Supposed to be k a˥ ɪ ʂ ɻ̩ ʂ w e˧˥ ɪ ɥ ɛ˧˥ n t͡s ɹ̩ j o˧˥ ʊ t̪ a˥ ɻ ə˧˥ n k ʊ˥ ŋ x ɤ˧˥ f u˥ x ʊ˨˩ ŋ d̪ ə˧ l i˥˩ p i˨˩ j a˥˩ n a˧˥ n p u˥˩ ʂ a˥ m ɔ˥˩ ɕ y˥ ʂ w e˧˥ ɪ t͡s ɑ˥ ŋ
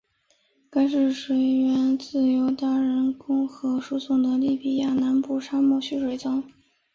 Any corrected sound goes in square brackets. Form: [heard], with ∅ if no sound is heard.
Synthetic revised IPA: k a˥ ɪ ʂ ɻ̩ ʂ w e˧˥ ɪ ɥ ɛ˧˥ n t͡s ɹ̩ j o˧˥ ʊ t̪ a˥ ɻ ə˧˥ n k ʊ˥ ŋ x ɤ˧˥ [ʂ] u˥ [s] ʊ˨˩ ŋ d̪ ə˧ l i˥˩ p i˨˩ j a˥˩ n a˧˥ n p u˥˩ ʂ a˥ m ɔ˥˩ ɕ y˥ ʂ w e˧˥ ɪ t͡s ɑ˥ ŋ